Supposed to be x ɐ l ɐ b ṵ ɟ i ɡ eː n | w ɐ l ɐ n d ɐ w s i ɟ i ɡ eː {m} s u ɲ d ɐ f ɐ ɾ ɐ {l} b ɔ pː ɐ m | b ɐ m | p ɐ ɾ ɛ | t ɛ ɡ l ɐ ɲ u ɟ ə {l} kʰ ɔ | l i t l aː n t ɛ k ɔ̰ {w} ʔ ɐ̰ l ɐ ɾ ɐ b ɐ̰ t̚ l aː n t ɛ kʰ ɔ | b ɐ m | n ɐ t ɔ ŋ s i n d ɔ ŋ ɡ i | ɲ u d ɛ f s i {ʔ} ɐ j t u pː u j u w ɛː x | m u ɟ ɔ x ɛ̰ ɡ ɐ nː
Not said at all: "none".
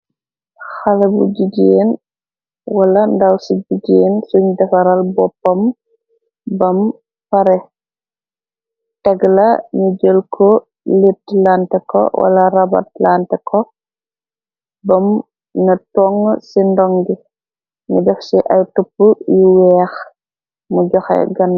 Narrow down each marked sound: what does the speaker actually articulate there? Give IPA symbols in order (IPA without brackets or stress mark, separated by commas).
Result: n, l, l, w, ʔ